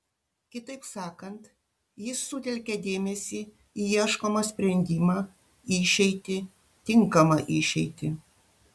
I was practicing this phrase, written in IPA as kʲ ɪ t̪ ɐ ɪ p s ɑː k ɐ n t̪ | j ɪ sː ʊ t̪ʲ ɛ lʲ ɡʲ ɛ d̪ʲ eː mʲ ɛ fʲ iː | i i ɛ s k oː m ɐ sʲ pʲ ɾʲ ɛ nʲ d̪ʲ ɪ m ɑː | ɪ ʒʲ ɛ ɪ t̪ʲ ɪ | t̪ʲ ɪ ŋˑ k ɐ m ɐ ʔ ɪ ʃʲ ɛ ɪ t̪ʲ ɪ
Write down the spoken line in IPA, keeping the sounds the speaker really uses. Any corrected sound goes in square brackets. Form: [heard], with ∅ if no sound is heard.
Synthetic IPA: kʲ ɪ t̪ ɐ ɪ p s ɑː k ɐ n t̪ | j ɪ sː ʊ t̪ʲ ɛ lʲ [kʲ] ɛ d̪ʲ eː mʲ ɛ [sʲ] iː | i i ɛ [ʃ] k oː m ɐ sʲ pʲ ɾʲ ɛ nʲ d̪ʲ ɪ m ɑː | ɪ [ʃʲ] ɛ ɪ t̪ʲ ɪ | t̪ʲ ɪ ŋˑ k ɐ m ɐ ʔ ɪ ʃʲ ɛ ɪ t̪ʲ ɪ

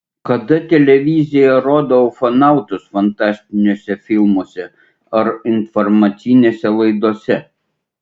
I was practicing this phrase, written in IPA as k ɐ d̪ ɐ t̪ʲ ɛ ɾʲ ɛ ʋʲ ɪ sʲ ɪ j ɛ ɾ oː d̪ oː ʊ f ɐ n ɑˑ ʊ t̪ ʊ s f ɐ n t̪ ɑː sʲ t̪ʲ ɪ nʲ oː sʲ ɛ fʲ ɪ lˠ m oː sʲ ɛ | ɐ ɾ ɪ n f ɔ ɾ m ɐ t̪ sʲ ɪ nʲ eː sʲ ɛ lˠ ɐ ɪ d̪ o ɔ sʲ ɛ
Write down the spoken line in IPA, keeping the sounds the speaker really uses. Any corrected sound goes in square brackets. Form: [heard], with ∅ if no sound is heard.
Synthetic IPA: k ɐ d̪ ɐ t̪ʲ ɛ [lʲ] ɛ ʋʲ ɪ [zʲ] ɪ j ɛ ɾ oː d̪ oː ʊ f ɐ n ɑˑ ʊ t̪ ʊ s f ɐ n t̪ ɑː sʲ t̪ʲ ɪ nʲ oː sʲ ɛ fʲ ɪ lˠ m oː sʲ ɛ | ɐ ɾ ɪ n f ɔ ɾ m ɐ t̪ sʲ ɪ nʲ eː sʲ ɛ lˠ ɐ ɪ d̪ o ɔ sʲ ɛ

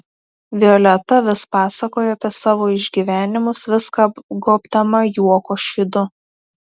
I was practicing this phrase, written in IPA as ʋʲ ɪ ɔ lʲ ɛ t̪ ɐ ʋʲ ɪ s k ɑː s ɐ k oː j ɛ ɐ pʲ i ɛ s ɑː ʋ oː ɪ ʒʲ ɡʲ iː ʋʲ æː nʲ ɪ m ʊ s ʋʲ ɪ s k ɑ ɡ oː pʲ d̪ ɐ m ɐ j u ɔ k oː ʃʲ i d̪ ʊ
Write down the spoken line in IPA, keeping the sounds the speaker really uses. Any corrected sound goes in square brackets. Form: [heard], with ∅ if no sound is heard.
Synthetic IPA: ʋʲ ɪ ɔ lʲ ɛ t̪ ɐ ʋʲ ɪ s [p] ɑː s ɐ k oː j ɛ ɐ pʲ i ɛ s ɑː ʋ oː ɪ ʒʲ ɡʲ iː ʋʲ æː nʲ ɪ m ʊ s ʋʲ ɪ s k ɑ ɡ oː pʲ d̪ ɐ m ɐ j u ɔ k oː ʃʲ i d̪ ʊ

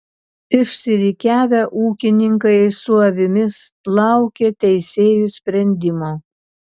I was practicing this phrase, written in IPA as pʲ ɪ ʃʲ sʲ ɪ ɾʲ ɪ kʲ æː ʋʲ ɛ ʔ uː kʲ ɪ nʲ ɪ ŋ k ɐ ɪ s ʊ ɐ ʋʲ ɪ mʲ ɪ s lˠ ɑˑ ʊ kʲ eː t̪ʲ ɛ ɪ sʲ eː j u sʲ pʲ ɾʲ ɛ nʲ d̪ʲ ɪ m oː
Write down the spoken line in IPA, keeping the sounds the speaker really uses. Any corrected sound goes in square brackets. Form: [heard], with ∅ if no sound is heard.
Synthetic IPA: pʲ ɪ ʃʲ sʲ ɪ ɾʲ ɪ kʲ æː ʋʲ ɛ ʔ uː kʲ ɪ nʲ ɪ ŋ k ɐ ɪ s ʊ ɐ ʋʲ ɪ mʲ ɪ s lˠ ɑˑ ʊ kʲ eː t̪ʲ ɛ ɪ sʲ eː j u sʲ pʲ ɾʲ ɛ nʲ d̪ʲ ɪ m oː

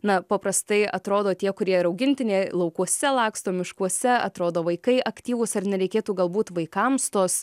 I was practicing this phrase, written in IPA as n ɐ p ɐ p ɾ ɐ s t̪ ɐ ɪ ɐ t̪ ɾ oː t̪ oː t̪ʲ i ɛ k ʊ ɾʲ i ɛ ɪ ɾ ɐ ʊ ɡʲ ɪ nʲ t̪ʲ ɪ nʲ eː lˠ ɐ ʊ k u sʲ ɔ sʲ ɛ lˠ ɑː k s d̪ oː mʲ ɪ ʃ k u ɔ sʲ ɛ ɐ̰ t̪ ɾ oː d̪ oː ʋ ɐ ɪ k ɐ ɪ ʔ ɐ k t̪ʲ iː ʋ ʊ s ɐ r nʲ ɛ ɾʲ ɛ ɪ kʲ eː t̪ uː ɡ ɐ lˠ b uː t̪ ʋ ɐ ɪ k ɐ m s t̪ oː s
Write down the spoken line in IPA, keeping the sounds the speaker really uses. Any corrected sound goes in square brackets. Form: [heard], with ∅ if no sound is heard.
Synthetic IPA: n ɐ p ɐ p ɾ ɐ s t̪ ɐ ɪ ɐ t̪ ɾ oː [d̪] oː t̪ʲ i ɛ k ʊ ɾʲ i ɛ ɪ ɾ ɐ ʊ ɡʲ ɪ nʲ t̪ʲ ɪ nʲ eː lˠ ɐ ʊ k u [∅] ɔ sʲ ɛ lˠ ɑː k s [t̪] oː mʲ ɪ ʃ k u ɔ sʲ ɛ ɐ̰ t̪ ɾ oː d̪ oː ʋ ɐ ɪ k ɐ ɪ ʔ ɐ k t̪ʲ iː ʋ ʊ s ɐ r nʲ ɛ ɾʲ ɛ ɪ kʲ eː t̪ uː ɡ ɐ lˠ b uː t̪ ʋ ɐ ɪ k ɐ m s t̪ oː s

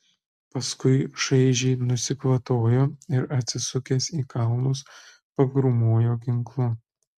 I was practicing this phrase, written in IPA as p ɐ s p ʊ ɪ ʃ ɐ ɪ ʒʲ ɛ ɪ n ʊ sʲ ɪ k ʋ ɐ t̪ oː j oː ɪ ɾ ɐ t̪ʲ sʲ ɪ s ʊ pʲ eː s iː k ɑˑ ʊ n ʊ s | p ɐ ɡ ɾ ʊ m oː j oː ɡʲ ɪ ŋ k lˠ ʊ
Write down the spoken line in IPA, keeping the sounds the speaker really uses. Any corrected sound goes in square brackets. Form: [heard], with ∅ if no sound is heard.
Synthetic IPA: p ɐ s [k] ʊ ɪ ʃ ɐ ɪ ʒʲ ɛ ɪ n ʊ sʲ ɪ k ʋ ɐ t̪ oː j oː ɪ ɾ ɐ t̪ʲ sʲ ɪ s ʊ [kʲ] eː s iː k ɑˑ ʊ n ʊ s | p ɐ ɡ ɾ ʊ m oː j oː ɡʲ ɪ ŋ k lˠ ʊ

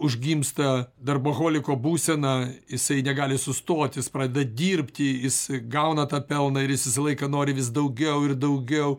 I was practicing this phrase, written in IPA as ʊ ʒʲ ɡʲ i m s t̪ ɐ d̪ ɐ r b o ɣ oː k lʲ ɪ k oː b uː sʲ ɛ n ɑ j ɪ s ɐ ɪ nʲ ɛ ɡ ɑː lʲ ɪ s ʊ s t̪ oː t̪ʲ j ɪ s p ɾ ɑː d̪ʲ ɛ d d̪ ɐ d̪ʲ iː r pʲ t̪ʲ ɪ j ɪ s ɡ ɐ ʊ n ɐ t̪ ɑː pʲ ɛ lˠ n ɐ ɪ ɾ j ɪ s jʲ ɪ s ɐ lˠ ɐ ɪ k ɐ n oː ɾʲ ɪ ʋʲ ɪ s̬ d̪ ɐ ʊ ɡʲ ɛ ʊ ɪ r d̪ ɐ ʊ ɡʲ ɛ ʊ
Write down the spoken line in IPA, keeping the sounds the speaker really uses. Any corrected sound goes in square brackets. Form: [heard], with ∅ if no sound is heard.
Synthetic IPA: ʊ ʒʲ ɡʲ i m s t̪ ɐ d̪ ɐ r b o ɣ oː [∅] lʲ ɪ k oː b uː sʲ ɛ n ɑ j ɪ s ɐ ɪ nʲ ɛ ɡ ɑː lʲ ɪ s ʊ s t̪ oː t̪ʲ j ɪ s p ɾ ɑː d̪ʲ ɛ d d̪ ɐ d̪ʲ iː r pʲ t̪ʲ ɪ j ɪ s ɡ ɐ ʊ n ɐ t̪ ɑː pʲ ɛ lˠ n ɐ ɪ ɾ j ɪ s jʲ ɪ s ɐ lˠ ɐ ɪ k ɐ n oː ɾʲ ɪ ʋʲ ɪ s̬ d̪ ɐ ʊ ɡʲ ɛ ʊ ɪ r d̪ ɐ ʊ ɡʲ ɛ ʊ

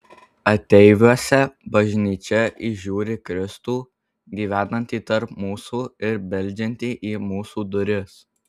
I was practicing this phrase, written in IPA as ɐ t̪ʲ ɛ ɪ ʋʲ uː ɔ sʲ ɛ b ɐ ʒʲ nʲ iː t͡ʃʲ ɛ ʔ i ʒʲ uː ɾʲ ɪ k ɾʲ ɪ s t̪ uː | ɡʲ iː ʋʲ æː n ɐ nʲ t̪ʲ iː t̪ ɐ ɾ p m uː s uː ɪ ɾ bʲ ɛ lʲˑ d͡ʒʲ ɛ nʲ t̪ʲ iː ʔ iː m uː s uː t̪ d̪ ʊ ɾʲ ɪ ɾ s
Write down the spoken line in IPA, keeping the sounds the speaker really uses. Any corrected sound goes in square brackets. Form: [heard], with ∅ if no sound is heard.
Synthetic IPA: ɐ t̪ʲ ɛ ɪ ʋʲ [u] ɔ sʲ ɛ b ɐ ʒʲ nʲ iː t͡ʃʲ ɛ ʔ i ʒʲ uː ɾʲ ɪ k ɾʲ ɪ s t̪ uː | ɡʲ iː ʋʲ æː n ɐ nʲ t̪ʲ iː t̪ ɐ ɾ p m uː s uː ɪ ɾ bʲ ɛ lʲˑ d͡ʒʲ ɛ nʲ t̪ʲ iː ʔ iː m uː s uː [∅] d̪ ʊ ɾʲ ɪ [∅] s

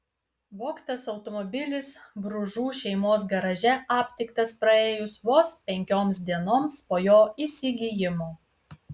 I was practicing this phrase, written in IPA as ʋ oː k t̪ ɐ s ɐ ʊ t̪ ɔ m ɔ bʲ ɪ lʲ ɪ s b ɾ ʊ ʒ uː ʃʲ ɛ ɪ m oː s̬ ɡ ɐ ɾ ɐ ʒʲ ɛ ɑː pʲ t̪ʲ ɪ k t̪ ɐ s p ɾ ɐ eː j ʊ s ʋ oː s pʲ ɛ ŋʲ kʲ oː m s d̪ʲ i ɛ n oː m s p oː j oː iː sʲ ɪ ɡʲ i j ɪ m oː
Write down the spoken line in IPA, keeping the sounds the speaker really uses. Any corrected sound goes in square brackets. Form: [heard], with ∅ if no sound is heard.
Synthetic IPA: ʋ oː k t̪ ɐ s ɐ ʊ t̪ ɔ m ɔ bʲ ɪ lʲ ɪ s b ɾ ʊ ʒ uː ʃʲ ɛ ɪ m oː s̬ ɡ ɐ ɾ ɐ ʒʲ ɛ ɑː pʲ t̪ʲ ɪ k t̪ ɐ s p ɾ ɐ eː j ʊ s ʋ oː s pʲ ɛ ŋʲ kʲ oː m s d̪ʲ i ɛ n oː m s p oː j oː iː sʲ ɪ ɡʲ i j ɪ m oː

